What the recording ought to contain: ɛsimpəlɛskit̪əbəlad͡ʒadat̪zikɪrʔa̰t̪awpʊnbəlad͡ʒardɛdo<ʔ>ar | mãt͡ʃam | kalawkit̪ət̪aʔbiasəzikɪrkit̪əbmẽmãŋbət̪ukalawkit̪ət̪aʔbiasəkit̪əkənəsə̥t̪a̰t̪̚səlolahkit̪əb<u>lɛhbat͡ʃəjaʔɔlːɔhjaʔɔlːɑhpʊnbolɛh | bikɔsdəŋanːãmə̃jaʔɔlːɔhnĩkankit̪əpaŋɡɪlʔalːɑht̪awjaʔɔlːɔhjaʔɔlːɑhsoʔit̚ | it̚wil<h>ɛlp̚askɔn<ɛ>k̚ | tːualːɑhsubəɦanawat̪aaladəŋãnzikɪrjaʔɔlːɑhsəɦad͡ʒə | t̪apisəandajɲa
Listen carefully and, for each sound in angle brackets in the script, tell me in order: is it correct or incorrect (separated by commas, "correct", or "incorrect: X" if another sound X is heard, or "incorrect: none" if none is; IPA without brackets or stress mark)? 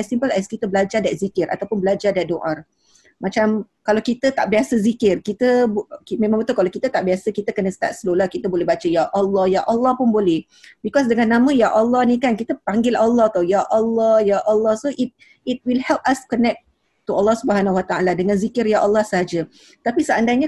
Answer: correct, incorrect: o, correct, correct